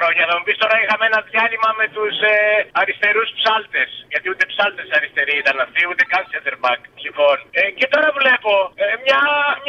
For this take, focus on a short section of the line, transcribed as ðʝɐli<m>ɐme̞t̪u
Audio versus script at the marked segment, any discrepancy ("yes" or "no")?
no